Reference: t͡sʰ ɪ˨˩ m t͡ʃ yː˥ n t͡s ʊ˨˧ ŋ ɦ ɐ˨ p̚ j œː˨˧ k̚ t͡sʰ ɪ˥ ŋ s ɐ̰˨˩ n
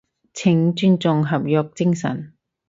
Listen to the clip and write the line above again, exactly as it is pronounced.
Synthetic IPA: t͡sʰ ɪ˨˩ ŋ t͡ʃ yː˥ n t͡s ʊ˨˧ ŋ ɦ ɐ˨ p̚ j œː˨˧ k̚ t͡s ɪ˥ ŋ s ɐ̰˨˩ n